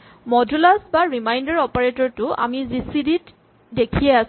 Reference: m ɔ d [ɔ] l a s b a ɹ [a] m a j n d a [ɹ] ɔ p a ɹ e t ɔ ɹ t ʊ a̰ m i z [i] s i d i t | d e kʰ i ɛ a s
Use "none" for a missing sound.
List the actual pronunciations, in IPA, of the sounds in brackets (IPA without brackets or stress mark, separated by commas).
u, i, ɹ, i